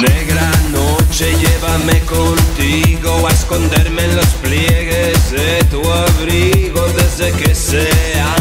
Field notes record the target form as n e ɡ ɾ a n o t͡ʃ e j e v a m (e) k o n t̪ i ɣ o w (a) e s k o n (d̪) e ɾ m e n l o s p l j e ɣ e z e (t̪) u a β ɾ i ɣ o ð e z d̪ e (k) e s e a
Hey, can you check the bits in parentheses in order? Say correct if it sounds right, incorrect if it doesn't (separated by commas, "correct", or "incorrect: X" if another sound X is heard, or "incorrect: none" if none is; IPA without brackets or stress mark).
correct, correct, correct, correct, correct